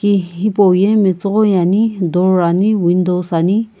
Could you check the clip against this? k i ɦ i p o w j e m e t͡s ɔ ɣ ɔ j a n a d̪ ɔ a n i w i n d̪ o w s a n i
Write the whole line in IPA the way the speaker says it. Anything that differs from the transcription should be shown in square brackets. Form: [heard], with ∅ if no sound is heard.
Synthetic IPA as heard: k i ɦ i p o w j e m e t͡s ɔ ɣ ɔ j a n [i] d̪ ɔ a n i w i n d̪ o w s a n i